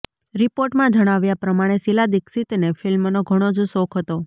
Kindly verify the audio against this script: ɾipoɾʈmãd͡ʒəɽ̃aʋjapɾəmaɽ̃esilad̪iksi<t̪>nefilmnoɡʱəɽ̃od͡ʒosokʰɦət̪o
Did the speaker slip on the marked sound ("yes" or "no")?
no